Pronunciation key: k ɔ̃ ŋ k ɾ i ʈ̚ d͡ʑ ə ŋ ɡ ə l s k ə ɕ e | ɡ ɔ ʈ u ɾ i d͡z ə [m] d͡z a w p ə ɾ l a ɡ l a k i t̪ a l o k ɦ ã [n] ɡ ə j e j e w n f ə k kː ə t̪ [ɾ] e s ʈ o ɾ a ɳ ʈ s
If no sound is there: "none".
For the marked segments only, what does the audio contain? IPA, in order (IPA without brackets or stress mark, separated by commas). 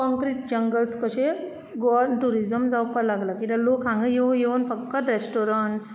m, ŋ, ɾ